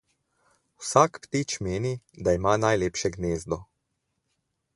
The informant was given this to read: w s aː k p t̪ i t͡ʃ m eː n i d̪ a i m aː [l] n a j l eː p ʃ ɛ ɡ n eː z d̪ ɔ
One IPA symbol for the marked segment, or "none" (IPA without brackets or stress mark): none